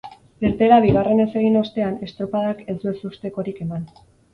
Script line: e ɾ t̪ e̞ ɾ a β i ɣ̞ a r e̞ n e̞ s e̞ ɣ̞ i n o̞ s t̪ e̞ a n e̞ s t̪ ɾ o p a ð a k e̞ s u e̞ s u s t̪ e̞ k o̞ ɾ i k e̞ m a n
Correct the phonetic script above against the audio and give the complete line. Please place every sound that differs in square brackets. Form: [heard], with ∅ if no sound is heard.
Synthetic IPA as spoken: e ɾ t̪ e̞ ɾ a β i ɣ̞ a r e̞ n e̞ s e̞ ɣ̞ i n o̞ s t̪ e̞ a n e̞ s t̪ ɾ o p a ð a k e̞ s u e̞ s u s t̪ e̞ k o̞ ɾ i k e̞ m a n

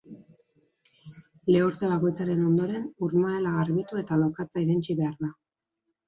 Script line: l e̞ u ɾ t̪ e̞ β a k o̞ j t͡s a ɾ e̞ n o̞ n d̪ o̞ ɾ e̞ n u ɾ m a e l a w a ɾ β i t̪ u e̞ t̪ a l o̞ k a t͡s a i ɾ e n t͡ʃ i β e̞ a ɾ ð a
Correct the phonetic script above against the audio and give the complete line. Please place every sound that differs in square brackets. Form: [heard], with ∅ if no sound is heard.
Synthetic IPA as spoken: l e̞ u ɾ t̪ e̞ β a k o̞ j t͡s a ɾ e̞ n o̞ n d̪ o̞ ɾ e̞ n u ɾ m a e l a [ɣ] a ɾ β i t̪ u e̞ t̪ a l o̞ k a t͡s a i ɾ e n t͡ʃ i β e̞ a ɾ ð a

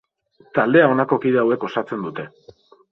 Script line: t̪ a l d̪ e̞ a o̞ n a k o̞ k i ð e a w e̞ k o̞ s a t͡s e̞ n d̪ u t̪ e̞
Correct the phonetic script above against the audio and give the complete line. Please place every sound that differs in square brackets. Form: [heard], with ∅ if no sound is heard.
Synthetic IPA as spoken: t̪ a l d̪ e̞ a o̞ n a k o̞ k i ð e a w e̞ k o̞ s a t͡s e̞ n d̪ u t̪ e̞

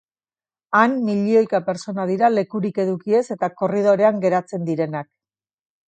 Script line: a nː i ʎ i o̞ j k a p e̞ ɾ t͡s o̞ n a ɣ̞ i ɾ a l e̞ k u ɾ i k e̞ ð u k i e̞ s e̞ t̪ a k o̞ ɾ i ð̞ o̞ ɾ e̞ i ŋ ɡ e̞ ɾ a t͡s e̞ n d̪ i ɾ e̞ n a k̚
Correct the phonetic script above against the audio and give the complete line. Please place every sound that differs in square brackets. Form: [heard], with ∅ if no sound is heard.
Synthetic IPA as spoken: a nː i ʎ i o̞ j k a p e̞ ɾ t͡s o̞ n a [ð̞] i ɾ a l e̞ k u ɾ i k e̞ ð u k i e̞ s e̞ t̪ a k o̞ [r] i ð̞ o̞ ɾ e̞ [a] ŋ ɡ e̞ ɾ a t͡s e̞ n d̪ i ɾ e̞ n a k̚

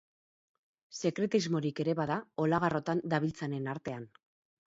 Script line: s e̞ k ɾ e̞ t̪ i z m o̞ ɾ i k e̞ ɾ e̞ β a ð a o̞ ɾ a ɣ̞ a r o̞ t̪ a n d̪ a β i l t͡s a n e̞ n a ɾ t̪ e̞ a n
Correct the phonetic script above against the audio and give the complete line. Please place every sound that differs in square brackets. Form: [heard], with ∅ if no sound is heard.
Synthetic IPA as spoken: s e̞ k ɾ e̞ t̪ i z m o̞ ɾ i k e̞ ɾ e̞ β a ð a o̞ [l] a ɣ̞ a r o̞ t̪ a n d̪ a β i l t͡s a n e̞ n a ɾ t̪ e̞ a n

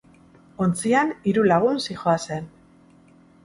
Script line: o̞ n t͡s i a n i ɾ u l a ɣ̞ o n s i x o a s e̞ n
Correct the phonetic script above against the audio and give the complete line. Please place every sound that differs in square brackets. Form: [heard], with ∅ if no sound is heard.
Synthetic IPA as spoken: o̞ n t͡s i a n i ɾ u l a ɣ̞ [u] n s i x o a s e̞ n

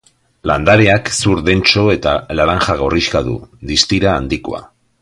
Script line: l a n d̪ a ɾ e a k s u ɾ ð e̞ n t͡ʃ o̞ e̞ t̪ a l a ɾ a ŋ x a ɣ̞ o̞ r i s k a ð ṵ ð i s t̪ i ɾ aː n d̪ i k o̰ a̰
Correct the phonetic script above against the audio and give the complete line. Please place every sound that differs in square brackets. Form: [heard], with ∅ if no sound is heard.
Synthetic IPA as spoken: l a n d̪ a ɾ e a k s u ɾ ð e̞ n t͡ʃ o̞ e̞ t̪ a l a ɾ a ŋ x a ɣ̞ o̞ r i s k a ð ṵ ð i s t̪ i ɾ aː n d̪ i k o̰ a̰

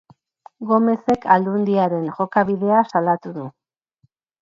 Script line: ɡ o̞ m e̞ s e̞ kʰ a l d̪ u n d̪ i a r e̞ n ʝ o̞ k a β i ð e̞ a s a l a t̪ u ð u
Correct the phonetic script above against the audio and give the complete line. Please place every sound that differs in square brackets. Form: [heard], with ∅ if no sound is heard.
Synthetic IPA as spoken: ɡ o̞ m e̞ s e̞ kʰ a l d̪ u n d̪ i a [ɾ] e̞ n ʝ o̞ k a β i ð e̞ a s a l a t̪ u ð u

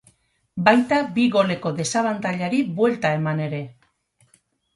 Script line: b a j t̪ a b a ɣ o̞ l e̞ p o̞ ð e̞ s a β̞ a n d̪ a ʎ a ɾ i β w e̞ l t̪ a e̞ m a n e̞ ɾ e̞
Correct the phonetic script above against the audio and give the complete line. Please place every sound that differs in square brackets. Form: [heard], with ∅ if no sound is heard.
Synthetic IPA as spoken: b a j t̪ a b [i] ɣ o̞ l e̞ [k] o̞ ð e̞ s a β̞ a n [t̪] a ʎ a ɾ i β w e̞ l t̪ a e̞ m a n e̞ ɾ e̞

